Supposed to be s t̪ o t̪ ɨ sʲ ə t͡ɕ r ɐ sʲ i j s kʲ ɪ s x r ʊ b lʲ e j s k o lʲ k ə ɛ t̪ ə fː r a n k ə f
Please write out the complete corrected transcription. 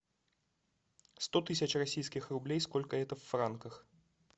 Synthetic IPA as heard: s t̪ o t̪ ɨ sʲ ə t͡ɕ r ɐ sʲ i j s kʲ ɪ x r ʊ b lʲ e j s k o lʲ k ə ɛ t̪ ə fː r a n k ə x